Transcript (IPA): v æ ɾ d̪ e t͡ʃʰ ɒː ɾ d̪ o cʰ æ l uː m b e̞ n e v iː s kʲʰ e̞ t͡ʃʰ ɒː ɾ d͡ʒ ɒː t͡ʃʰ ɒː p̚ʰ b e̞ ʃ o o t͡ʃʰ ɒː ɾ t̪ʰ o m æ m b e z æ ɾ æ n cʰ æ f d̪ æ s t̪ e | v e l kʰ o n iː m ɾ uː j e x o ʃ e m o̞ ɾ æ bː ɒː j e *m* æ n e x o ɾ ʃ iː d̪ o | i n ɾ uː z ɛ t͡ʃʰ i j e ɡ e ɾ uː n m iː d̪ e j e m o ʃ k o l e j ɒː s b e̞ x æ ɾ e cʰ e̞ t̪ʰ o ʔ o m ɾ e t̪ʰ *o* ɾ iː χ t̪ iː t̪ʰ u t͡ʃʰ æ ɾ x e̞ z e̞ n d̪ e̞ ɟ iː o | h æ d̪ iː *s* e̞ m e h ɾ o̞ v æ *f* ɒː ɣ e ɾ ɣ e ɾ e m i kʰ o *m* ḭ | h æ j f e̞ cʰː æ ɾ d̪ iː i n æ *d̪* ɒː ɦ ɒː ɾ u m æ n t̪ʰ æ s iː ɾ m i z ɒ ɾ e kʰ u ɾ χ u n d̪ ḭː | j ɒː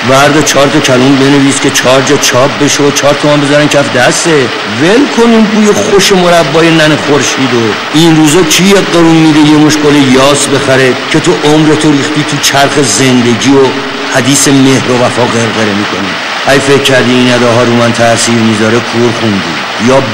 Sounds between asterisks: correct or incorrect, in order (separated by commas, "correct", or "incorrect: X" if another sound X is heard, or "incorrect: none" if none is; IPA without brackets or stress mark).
incorrect: n, correct, correct, correct, incorrect: n, correct